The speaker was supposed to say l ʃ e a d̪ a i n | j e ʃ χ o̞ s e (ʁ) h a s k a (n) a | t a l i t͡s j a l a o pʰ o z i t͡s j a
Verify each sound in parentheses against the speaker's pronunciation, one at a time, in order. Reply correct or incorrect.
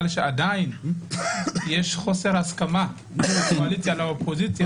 correct, incorrect: m

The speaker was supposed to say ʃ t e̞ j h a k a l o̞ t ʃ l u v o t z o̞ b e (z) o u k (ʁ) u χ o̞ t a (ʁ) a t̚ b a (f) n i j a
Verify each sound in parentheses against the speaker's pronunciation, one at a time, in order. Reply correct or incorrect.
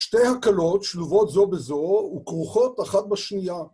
correct, correct, incorrect: χ, incorrect: ʃ

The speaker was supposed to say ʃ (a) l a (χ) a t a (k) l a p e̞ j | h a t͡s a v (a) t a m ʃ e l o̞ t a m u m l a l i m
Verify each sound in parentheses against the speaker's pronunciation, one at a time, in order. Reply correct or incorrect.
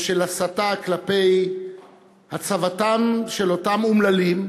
incorrect: e, incorrect: s, correct, correct

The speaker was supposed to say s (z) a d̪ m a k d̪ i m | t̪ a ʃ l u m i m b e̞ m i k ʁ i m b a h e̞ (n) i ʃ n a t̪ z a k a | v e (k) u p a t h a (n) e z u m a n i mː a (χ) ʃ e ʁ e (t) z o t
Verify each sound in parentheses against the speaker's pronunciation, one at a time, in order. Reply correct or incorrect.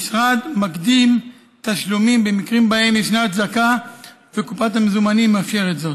incorrect: ʁ, incorrect: m, correct, incorrect: m, incorrect: f, correct

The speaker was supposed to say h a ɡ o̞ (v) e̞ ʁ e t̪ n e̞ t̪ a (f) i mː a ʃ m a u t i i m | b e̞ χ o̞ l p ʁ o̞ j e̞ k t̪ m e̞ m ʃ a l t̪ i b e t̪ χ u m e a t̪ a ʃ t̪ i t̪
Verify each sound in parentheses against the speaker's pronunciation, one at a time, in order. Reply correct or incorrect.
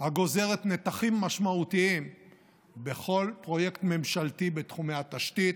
incorrect: z, incorrect: χ

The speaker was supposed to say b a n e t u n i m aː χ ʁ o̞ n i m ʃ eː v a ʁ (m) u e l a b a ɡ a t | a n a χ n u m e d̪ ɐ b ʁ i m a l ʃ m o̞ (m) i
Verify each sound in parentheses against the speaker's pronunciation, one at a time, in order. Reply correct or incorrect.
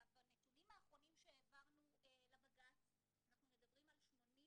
incorrect: n, incorrect: n

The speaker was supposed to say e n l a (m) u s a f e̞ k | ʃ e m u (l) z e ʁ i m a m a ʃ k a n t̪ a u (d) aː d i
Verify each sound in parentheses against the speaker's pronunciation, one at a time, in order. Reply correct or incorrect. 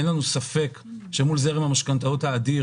incorrect: n, correct, incorrect: t

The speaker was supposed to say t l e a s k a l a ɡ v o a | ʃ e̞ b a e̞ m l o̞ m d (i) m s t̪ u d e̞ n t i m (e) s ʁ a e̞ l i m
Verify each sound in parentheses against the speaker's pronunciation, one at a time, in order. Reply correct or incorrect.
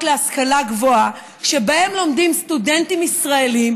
correct, incorrect: i

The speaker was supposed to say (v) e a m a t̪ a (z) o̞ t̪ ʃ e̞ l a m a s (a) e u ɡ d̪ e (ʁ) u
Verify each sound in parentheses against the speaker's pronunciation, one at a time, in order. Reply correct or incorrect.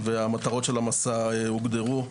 correct, incorrect: ʁ, correct, correct

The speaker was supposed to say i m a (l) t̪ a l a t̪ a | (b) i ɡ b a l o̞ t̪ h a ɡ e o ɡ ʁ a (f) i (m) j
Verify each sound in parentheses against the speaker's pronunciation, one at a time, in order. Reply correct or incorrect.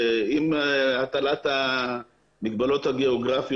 incorrect: none, incorrect: m, correct, incorrect: none

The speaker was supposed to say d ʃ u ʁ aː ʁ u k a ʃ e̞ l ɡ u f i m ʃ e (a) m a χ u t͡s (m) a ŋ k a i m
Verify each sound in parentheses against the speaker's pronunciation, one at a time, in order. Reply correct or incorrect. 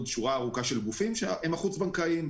incorrect: e, incorrect: b

